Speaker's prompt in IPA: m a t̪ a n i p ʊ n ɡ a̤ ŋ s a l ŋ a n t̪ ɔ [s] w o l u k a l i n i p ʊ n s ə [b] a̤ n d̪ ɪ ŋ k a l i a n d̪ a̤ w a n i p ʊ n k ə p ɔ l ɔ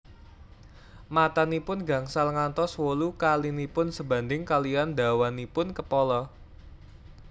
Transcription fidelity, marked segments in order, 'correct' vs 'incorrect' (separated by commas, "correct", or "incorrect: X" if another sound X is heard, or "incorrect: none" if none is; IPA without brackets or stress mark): correct, correct